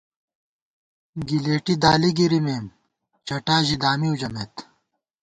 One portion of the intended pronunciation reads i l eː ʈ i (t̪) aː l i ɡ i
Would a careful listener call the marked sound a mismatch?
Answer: yes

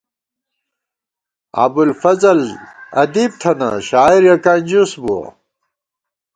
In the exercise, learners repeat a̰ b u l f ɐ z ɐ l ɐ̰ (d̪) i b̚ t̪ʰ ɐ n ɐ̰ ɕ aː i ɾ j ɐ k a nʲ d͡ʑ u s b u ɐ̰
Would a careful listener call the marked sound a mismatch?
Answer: no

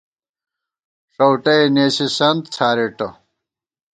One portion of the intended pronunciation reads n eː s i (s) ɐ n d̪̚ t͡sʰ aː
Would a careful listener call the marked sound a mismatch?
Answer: no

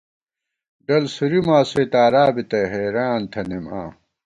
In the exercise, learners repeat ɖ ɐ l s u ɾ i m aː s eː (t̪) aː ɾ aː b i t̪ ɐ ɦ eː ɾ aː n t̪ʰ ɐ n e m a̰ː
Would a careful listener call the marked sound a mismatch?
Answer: no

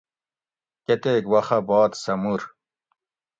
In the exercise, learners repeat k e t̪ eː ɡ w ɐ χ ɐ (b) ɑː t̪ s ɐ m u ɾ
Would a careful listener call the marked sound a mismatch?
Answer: no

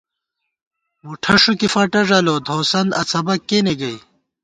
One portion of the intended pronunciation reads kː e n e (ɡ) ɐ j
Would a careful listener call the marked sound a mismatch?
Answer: no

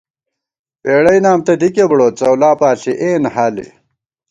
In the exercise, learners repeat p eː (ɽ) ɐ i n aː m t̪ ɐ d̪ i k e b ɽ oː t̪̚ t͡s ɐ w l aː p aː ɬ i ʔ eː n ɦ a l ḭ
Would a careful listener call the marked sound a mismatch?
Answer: no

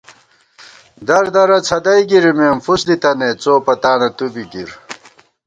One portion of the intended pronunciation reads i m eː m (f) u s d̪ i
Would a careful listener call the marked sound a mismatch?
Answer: no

